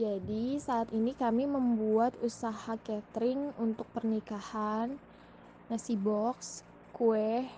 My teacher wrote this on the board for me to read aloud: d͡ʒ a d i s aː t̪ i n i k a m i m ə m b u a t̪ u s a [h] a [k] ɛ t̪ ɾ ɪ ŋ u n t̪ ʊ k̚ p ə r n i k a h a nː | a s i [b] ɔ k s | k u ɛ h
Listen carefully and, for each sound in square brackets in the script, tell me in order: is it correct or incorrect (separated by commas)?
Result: correct, correct, correct